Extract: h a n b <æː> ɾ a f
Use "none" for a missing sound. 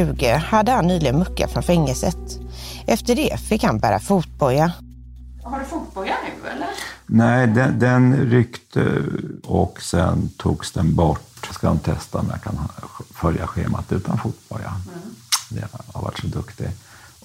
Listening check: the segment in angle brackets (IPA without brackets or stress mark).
æː